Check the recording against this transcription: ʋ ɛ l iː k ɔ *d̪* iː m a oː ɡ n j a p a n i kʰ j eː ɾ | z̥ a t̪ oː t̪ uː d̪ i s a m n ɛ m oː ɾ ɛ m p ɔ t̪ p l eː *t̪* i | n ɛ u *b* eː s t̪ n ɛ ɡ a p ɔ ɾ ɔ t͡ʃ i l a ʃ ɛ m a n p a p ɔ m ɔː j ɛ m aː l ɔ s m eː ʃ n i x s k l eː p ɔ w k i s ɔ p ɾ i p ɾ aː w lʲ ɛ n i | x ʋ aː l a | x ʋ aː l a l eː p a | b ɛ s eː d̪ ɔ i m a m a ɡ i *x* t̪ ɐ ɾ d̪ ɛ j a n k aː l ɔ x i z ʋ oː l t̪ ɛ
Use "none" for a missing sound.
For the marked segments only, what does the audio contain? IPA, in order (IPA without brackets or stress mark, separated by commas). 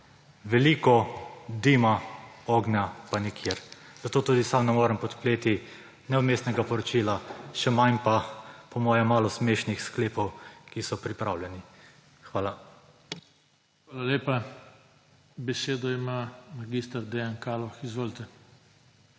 d̪, t̪, m, s